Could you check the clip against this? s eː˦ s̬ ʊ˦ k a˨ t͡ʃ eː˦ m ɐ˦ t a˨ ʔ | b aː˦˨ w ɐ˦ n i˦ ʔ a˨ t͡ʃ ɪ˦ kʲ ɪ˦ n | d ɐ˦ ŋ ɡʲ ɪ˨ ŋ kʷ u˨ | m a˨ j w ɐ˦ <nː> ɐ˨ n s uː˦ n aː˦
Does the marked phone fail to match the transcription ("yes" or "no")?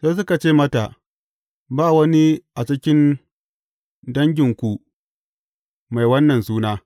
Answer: no